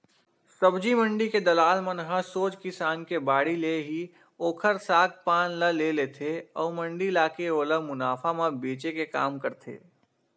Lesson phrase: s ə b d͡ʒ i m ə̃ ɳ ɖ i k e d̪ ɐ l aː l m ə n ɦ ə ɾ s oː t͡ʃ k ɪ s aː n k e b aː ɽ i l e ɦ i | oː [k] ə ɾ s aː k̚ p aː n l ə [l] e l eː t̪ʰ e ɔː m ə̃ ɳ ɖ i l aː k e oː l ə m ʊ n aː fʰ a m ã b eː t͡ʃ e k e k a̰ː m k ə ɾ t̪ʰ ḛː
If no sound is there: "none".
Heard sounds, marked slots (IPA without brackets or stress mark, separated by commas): kʰ, l